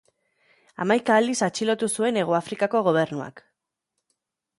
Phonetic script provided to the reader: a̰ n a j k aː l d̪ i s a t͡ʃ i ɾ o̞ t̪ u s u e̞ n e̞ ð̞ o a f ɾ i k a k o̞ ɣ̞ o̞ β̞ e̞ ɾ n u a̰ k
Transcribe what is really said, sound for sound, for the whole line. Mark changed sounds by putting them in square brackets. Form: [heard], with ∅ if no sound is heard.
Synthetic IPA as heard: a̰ [m] a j k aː l d̪ i s a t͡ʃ i [l] o̞ t̪ u s u e̞ n e̞ [ɣ̞] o a f ɾ i k a k o̞ ɣ̞ o̞ β̞ e̞ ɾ n u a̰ k

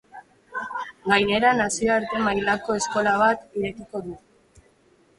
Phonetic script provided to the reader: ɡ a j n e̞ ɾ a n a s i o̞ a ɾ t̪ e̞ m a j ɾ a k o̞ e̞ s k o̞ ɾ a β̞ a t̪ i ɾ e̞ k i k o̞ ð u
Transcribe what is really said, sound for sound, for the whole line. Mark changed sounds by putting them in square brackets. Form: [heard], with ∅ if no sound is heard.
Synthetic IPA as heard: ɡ a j n e̞ ɾ a n a s i o̞ a ɾ t̪ e̞ m a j [l] a k o̞ e̞ s k o̞ [l] a β̞ a t̪ i ɾ e̞ k i k o̞ ð u

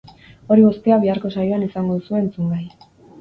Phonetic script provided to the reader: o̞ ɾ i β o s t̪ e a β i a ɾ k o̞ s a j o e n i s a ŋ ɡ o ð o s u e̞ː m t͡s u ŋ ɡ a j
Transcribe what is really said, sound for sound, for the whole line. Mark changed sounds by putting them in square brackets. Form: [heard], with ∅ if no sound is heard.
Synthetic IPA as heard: o̞ ɾ i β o s t̪ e a β i a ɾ k o̞ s a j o [a] n i s a ŋ ɡ o ð [u] s u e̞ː [n] t͡s u ŋ ɡ a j

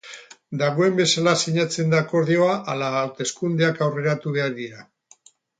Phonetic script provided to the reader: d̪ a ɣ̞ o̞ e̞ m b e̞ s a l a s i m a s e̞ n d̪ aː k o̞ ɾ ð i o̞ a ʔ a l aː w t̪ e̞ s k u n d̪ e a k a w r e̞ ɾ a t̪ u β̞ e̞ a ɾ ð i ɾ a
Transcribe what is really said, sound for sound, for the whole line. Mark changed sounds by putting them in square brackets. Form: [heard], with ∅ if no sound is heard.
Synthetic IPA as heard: d̪ a ɣ̞ o̞ e̞ m b e̞ s a l a s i [ɲ] a [t͡s] e̞ n d̪ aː k o̞ ɾ ð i o̞ a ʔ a l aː w t̪ e̞ s k u n d̪ e a k a w r e̞ ɾ a t̪ u β̞ e̞ a ɾ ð i ɾ a

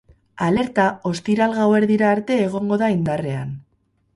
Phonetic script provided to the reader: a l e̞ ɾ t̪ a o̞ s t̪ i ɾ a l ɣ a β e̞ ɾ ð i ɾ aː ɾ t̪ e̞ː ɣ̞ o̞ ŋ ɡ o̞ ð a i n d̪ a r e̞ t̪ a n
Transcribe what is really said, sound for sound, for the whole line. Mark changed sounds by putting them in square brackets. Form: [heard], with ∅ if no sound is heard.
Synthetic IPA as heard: a l e̞ ɾ t̪ a o̞ s t̪ i ɾ a l ɣ a [w] e̞ ɾ ð i ɾ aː ɾ t̪ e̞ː ɣ̞ o̞ ŋ ɡ o̞ ð a i n d̪ a r e̞ [∅] a n

